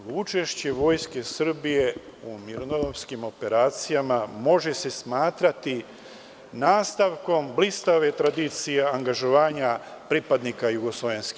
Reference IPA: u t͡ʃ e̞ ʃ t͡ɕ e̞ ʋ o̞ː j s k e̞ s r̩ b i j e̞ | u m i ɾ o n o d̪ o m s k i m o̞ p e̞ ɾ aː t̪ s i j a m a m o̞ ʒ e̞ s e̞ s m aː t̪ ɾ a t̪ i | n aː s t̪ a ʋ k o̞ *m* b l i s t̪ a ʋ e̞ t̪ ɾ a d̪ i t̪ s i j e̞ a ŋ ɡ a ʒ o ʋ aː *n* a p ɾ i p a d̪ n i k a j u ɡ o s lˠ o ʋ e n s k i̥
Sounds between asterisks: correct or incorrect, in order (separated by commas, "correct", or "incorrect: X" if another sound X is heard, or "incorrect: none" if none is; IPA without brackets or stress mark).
correct, incorrect: ɲ